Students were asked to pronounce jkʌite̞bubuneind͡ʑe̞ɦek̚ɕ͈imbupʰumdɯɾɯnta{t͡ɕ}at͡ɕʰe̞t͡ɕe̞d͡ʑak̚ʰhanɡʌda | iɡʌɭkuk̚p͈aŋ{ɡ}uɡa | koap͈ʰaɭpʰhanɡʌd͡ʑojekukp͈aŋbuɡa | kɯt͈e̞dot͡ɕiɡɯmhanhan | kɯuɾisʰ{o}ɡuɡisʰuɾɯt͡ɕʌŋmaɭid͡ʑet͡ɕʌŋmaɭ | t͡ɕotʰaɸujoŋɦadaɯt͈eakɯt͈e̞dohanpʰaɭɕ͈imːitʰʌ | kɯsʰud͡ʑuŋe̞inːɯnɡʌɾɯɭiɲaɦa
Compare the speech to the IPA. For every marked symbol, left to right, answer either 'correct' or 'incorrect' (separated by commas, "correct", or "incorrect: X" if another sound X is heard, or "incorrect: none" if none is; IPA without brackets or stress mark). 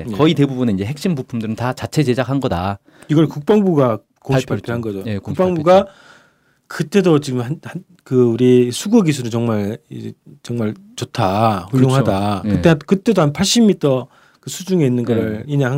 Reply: correct, incorrect: b, incorrect: u